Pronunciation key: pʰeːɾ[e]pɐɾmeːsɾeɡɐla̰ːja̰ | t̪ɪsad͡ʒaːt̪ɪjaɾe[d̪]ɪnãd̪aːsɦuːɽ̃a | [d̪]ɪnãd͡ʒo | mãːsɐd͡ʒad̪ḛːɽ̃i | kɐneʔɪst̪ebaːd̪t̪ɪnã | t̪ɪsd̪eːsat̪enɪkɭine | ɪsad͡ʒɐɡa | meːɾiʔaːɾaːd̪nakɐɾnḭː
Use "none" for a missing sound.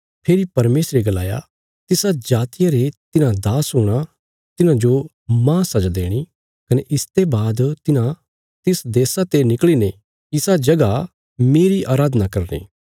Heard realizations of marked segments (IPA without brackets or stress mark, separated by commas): i, t̪, t̪